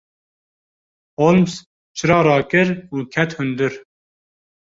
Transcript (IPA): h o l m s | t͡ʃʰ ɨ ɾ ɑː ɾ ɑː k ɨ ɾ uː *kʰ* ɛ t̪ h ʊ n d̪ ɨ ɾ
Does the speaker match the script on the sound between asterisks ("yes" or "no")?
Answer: yes